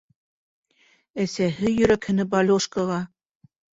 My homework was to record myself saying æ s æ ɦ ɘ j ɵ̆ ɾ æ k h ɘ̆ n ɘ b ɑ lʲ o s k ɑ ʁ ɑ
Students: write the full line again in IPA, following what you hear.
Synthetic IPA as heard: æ s æ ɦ ɘ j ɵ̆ ɾ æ k h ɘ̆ n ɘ b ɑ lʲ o ʃ k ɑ ʁ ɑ